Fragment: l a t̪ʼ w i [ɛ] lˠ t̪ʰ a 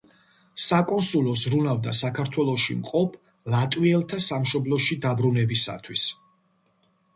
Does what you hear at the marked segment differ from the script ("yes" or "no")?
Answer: no